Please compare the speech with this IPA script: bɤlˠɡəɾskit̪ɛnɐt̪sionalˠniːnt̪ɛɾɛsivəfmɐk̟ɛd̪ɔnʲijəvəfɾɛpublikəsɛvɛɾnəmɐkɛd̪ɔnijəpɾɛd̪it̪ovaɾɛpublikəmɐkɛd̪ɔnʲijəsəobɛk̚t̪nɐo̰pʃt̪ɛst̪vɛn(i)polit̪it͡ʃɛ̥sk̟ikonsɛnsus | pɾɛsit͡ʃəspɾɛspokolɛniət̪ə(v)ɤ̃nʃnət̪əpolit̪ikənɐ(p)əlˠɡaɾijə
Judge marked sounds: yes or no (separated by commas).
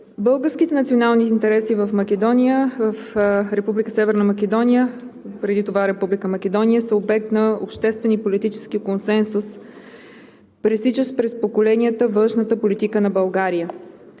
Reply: yes, yes, no